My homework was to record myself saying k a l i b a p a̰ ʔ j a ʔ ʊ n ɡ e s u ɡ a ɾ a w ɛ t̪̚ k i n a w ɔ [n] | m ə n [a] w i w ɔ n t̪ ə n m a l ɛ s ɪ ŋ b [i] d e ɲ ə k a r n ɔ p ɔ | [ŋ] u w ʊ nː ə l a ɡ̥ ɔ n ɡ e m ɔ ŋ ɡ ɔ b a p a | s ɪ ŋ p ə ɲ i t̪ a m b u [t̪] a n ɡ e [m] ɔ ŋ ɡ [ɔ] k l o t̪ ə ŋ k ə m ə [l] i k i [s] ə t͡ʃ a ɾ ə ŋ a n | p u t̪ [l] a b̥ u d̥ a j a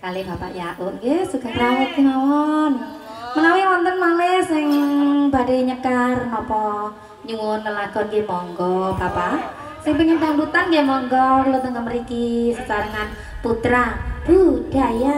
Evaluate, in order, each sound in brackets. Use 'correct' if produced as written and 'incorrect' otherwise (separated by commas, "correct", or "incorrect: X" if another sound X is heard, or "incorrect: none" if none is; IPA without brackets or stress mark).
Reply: correct, correct, incorrect: a, incorrect: ɲ, correct, correct, correct, incorrect: ɾ, correct, incorrect: ɾ